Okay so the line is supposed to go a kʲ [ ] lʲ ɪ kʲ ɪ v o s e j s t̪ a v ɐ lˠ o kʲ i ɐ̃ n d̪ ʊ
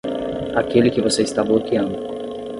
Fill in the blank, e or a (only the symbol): e